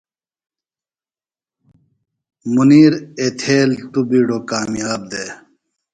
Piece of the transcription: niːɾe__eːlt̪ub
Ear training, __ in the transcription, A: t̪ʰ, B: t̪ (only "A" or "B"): A